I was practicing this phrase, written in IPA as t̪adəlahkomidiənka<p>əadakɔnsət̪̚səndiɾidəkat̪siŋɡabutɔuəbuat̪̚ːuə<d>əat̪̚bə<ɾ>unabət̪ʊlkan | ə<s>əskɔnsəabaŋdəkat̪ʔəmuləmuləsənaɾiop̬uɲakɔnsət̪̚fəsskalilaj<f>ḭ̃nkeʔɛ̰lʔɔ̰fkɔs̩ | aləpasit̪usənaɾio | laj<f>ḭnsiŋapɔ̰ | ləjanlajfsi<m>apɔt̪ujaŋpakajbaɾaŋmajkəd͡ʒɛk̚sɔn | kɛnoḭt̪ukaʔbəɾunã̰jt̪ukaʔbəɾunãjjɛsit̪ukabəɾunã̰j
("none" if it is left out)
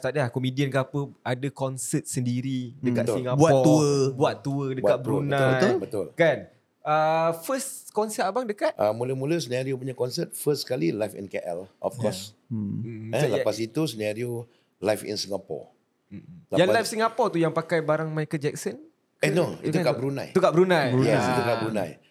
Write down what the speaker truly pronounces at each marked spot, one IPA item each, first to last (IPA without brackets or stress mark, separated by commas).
p, d, ɾ, f, f, f, ŋ